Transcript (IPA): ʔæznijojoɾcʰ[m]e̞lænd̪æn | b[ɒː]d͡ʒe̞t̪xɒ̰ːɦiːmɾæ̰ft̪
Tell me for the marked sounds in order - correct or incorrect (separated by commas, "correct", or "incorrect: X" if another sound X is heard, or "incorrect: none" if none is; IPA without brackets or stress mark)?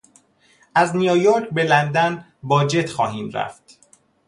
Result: incorrect: b, correct